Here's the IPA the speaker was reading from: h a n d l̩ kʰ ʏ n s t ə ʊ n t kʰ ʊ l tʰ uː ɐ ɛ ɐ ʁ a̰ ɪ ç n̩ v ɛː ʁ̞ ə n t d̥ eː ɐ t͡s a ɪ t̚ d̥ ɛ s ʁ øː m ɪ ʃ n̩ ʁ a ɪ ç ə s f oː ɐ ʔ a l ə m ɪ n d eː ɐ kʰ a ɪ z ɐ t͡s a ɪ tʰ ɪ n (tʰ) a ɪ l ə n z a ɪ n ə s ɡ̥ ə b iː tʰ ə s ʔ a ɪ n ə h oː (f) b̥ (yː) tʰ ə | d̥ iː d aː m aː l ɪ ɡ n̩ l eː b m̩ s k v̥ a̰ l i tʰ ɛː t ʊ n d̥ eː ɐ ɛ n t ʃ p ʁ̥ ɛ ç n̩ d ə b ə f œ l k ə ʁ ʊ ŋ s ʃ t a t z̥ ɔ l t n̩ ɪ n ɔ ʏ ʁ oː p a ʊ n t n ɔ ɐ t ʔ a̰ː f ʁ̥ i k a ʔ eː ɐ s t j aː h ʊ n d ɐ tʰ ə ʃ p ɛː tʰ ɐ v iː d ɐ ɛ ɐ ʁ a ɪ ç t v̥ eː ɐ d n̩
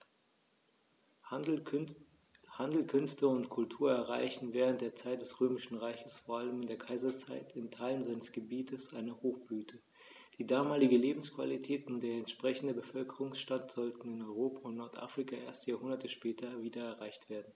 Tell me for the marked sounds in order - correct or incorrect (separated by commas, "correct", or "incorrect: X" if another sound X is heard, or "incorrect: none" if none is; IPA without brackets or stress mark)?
correct, incorrect: x, correct